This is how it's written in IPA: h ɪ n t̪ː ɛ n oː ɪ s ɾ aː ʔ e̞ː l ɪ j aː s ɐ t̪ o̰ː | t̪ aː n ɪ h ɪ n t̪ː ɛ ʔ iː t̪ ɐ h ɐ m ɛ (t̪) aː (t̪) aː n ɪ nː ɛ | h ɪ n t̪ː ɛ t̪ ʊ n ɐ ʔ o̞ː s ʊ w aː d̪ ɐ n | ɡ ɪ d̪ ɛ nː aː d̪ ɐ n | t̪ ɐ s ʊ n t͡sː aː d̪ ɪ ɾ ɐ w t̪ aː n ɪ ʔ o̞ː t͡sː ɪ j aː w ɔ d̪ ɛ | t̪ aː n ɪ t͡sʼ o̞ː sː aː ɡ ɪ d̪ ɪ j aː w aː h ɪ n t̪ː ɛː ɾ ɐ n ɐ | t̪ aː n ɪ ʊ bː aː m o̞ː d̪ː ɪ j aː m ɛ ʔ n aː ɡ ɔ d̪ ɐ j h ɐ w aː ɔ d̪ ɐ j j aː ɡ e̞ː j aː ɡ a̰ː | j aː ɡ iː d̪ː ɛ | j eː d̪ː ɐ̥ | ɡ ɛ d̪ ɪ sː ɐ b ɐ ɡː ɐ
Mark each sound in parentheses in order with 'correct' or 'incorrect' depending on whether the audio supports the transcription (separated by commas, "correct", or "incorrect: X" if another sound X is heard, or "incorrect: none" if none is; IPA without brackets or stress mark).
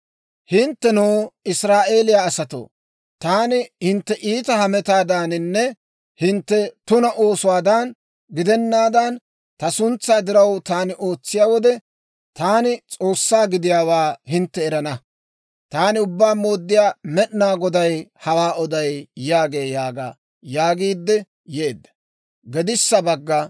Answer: correct, incorrect: d̪